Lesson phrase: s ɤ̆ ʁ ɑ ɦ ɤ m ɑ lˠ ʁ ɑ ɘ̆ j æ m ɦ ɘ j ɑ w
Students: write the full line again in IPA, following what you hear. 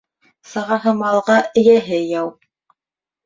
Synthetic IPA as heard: s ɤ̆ ʁ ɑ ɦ ɤ m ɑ lˠ ʁ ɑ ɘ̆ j æ ɦ ɘ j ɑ w